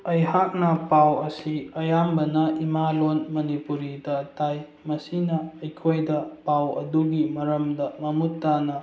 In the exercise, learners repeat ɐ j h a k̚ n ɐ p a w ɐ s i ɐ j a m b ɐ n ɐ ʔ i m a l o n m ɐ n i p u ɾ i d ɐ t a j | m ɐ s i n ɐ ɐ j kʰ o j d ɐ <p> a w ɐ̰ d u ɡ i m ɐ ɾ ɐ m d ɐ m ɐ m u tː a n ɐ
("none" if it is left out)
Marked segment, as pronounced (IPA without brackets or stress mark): p